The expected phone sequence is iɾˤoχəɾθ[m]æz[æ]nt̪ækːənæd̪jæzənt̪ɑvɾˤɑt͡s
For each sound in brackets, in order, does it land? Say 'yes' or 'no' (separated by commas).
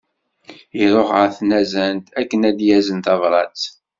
no, yes